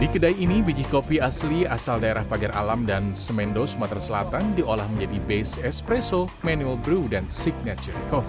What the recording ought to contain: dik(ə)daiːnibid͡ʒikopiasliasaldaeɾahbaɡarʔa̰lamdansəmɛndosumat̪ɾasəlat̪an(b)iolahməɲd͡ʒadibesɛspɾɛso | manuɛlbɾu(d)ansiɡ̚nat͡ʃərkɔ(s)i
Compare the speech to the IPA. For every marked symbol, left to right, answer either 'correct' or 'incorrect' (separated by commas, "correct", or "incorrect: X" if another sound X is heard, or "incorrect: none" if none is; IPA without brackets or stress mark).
correct, incorrect: d, correct, incorrect: f